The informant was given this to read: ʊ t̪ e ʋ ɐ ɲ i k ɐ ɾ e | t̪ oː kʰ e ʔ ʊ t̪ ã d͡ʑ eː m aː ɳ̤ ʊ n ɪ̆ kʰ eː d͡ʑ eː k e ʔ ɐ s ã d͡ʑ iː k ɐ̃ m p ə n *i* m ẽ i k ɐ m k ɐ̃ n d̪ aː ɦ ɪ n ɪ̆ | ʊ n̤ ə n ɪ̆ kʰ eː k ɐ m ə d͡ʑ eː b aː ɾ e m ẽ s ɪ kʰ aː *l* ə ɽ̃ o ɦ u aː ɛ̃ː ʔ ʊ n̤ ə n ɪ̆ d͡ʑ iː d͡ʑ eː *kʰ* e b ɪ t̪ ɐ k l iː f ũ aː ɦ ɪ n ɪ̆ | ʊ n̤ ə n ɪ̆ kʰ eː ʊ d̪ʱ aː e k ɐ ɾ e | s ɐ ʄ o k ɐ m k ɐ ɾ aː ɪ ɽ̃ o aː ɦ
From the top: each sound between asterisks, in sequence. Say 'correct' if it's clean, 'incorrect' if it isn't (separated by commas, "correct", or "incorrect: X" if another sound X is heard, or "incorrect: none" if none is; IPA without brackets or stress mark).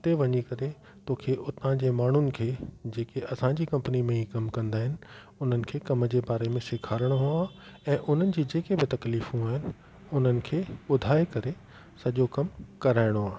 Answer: correct, incorrect: ɾ, incorrect: k